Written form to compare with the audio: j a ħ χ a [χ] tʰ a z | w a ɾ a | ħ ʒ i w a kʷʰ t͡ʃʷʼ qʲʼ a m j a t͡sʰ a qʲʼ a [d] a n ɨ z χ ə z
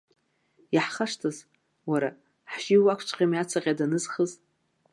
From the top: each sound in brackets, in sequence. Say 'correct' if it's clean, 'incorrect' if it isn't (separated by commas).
incorrect, correct